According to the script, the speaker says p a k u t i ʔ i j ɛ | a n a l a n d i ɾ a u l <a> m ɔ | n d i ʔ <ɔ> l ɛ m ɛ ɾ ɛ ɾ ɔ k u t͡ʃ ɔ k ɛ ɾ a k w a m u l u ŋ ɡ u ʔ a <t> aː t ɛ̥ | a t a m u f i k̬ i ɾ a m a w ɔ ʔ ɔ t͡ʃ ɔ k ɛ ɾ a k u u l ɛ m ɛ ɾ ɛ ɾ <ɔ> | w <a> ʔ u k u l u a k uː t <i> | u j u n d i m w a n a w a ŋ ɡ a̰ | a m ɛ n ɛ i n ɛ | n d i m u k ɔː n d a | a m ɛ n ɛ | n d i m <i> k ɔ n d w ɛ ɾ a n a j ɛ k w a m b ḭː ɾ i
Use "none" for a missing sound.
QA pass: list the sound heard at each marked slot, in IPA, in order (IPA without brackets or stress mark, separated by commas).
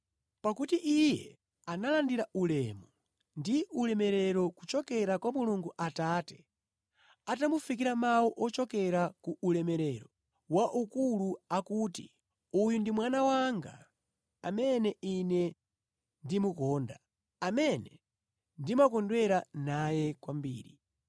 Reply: ɛ, u, t, ɔ, a, i, a